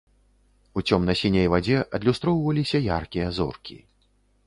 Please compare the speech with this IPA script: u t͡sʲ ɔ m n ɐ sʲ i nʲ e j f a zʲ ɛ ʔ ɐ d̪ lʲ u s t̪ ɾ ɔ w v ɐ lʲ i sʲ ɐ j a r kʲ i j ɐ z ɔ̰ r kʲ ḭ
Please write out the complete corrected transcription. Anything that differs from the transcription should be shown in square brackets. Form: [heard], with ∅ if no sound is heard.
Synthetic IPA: u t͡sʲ ɔ m n ɐ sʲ i nʲ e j [v] a [d͡zʲ] ɛ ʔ ɐ d̪ lʲ u s t̪ ɾ ɔ w v ɐ lʲ i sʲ ɐ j a r kʲ i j ɐ z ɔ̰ r kʲ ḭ